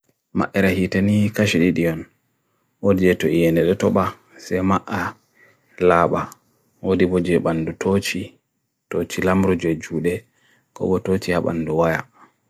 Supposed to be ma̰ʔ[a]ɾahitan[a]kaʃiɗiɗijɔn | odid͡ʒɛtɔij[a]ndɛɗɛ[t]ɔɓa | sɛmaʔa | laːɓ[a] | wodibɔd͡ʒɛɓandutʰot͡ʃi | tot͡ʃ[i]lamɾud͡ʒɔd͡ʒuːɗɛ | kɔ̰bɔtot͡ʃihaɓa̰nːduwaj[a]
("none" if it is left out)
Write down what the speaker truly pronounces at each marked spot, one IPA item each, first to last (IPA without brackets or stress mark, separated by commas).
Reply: ɛ, i, ɛ, t, a, i, a